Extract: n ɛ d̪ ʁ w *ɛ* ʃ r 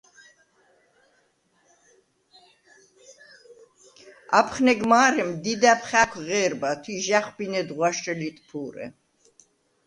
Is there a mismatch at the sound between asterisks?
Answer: yes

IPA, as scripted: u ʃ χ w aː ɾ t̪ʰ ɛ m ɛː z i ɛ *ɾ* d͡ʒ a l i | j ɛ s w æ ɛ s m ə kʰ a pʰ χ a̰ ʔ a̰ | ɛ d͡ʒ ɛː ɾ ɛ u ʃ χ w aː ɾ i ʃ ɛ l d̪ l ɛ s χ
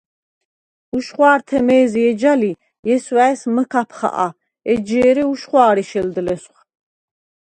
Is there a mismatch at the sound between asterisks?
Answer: yes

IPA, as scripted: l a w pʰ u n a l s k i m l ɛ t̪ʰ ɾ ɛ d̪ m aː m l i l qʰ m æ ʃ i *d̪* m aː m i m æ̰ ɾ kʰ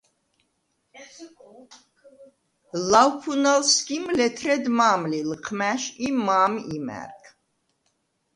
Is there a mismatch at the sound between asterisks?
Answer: yes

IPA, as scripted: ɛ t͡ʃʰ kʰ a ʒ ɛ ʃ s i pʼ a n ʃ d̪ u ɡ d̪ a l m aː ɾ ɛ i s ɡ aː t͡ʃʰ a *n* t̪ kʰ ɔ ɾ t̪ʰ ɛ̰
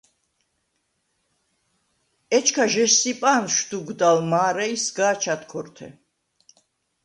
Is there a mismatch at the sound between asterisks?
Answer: yes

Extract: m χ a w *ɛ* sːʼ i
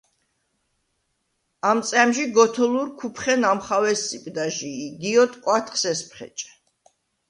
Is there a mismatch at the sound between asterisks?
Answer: no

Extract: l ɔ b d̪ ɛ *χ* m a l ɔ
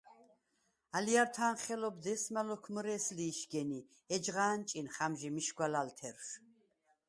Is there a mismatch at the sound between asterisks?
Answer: yes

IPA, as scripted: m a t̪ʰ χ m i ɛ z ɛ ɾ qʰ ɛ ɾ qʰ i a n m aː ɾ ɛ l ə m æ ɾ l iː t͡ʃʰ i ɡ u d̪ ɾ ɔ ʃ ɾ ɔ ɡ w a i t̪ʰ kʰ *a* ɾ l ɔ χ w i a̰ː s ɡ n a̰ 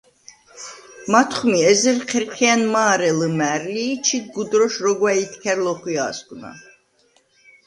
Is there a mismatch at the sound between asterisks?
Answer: yes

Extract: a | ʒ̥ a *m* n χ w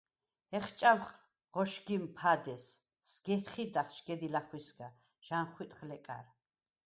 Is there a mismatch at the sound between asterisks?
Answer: yes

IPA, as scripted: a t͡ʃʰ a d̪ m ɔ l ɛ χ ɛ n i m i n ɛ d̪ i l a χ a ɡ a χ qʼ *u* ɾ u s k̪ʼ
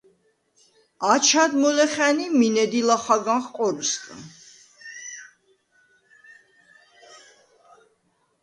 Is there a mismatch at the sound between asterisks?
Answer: yes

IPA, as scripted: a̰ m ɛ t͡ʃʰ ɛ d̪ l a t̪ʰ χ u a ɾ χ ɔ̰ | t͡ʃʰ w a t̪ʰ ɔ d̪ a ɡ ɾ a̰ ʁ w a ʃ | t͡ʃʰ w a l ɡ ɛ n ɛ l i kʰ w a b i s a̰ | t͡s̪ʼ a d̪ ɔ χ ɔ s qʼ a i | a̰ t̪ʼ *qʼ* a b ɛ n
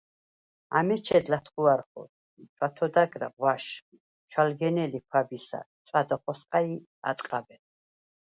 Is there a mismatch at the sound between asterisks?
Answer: no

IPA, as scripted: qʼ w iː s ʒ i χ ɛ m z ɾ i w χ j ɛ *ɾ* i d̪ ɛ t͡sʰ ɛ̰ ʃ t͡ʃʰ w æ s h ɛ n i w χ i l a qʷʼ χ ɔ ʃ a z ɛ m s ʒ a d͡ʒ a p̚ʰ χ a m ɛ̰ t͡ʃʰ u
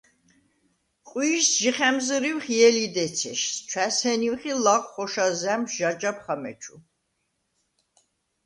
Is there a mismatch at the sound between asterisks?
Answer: yes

